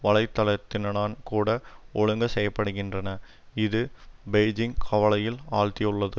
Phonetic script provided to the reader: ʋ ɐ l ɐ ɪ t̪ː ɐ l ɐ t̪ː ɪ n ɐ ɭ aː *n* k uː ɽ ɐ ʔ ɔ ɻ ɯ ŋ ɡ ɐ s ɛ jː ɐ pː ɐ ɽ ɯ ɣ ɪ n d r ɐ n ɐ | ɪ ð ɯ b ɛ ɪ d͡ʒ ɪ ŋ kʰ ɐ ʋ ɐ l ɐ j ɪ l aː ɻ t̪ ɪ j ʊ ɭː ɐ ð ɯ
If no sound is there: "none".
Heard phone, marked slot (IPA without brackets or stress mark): n